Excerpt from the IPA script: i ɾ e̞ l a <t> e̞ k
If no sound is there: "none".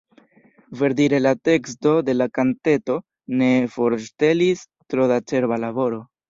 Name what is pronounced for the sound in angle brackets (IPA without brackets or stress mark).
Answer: t